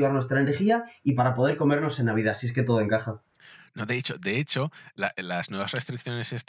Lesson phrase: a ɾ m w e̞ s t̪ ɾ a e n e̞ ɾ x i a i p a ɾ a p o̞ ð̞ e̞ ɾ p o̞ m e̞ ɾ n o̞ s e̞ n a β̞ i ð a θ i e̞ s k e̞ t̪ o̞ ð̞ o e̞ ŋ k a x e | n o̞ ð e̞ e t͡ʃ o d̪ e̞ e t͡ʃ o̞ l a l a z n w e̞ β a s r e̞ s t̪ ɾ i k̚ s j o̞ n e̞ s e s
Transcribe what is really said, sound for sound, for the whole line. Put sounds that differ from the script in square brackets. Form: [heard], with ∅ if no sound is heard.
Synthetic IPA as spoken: a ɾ [n] w e̞ s t̪ ɾ a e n e̞ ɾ x i a i p a ɾ a p o̞ ð̞ e̞ ɾ [k] o̞ m e̞ ɾ n o̞ s e̞ n a β̞ i ð a [s] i e̞ s k e̞ t̪ o̞ ð̞ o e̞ ŋ k a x [a] | n o̞ ð e̞ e t͡ʃ o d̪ e̞ e t͡ʃ o̞ l a l a z n w e̞ β a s r e̞ s t̪ ɾ i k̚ [θ] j o̞ n e̞ s e s